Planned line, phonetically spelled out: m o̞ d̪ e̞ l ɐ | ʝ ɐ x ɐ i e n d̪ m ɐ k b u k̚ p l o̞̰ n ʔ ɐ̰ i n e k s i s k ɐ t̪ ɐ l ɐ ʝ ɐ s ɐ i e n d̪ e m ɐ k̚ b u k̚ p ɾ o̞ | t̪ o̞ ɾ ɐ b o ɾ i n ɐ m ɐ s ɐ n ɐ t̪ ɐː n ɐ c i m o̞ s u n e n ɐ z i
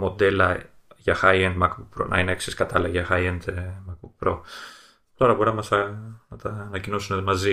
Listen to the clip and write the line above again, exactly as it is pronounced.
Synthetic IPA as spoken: m o̞ d̪ e̞ l ɐ | ʝ ɐ x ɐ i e n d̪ m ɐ k b u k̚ p ɾ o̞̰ n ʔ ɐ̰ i n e k s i s k ɐ t̪ ɐ l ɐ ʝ ɐ x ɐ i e n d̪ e m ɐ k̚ b u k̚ p ɾ o̞ | t̪ o̞ ɾ ɐ b o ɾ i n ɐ m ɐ s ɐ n ɐ t̪ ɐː n ɐ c i n o̞ s u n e m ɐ z i